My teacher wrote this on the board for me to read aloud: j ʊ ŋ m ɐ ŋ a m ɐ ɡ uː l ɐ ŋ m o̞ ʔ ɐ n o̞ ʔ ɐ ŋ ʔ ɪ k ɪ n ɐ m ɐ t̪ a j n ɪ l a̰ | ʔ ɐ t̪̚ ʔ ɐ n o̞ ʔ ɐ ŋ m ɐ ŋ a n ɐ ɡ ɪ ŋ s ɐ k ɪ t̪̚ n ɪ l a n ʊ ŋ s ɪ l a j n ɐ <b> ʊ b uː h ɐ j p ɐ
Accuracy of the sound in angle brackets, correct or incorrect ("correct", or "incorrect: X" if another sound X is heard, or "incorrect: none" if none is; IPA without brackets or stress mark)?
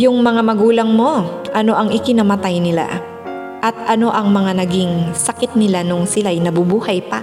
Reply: correct